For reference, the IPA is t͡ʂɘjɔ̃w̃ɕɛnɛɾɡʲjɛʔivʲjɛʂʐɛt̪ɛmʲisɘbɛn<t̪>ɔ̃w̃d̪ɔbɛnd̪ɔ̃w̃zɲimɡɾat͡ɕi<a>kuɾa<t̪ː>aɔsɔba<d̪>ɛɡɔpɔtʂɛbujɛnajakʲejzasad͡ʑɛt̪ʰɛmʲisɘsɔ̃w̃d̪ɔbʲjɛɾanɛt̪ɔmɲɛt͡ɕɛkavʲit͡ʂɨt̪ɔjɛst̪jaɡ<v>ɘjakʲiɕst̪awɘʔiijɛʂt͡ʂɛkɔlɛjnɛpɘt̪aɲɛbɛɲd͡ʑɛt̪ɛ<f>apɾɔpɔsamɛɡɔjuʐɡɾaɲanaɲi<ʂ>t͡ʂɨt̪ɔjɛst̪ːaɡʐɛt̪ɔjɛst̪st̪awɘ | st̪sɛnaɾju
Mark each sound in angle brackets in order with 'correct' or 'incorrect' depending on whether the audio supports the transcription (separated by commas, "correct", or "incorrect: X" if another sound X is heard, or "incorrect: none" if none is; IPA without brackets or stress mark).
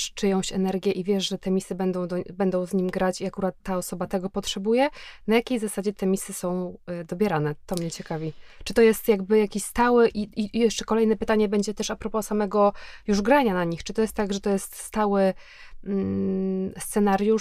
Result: incorrect: d̪, correct, correct, incorrect: t̪, incorrect: b, incorrect: ʂ, incorrect: x